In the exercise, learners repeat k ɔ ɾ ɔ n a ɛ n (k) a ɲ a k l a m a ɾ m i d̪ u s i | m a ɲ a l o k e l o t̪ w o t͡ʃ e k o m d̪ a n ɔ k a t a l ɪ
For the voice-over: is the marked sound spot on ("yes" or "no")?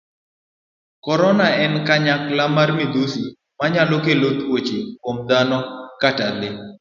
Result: yes